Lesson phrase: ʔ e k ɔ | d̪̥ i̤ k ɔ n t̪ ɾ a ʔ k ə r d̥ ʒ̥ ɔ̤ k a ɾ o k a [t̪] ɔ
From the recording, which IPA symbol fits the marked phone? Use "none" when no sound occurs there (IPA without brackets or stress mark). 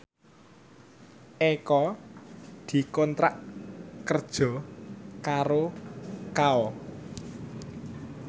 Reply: none